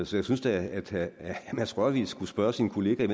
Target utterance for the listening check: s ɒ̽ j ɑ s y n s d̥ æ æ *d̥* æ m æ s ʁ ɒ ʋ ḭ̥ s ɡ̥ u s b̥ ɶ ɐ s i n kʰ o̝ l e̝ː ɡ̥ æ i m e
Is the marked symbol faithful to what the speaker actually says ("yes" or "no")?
yes